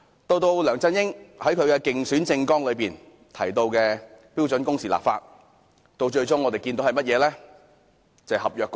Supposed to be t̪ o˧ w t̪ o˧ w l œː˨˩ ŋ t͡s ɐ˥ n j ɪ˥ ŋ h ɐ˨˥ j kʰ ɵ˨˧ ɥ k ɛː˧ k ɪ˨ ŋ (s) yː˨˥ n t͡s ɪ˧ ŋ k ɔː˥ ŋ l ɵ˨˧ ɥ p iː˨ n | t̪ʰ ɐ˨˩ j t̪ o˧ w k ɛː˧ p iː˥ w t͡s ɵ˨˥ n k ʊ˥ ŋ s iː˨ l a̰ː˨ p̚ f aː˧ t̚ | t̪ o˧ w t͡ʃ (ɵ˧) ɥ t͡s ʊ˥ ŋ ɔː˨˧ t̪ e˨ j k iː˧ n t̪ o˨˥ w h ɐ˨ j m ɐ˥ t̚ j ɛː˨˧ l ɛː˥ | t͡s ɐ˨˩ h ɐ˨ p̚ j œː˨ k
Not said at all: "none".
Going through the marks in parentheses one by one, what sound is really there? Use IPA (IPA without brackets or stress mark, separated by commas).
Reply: s, ɵ˧